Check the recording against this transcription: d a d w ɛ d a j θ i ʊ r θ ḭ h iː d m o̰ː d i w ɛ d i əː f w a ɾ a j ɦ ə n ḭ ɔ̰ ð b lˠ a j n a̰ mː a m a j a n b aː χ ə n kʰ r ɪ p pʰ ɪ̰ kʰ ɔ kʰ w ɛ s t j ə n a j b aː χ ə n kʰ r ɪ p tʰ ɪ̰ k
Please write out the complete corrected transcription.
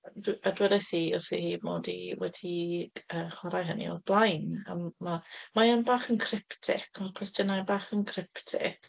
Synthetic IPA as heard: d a d w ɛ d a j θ i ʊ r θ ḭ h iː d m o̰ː d i w ɛ d i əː χ w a ɾ a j ɦ ə n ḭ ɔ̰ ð b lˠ a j n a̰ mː a m a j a n b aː χ ə n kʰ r ɪ p tʰ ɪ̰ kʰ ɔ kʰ w ɛ s t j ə n a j b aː χ ə n kʰ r ɪ p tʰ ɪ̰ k